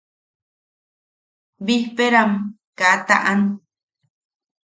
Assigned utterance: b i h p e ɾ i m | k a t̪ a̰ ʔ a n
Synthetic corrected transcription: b i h p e ɾ a m | k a t̪ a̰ ʔ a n